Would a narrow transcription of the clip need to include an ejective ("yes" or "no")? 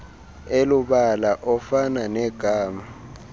no